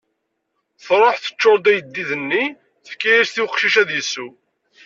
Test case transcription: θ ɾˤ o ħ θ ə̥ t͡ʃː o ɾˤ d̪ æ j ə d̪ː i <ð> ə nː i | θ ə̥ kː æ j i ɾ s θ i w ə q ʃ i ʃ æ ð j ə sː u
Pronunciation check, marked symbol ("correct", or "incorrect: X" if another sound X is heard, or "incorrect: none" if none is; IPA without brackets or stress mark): correct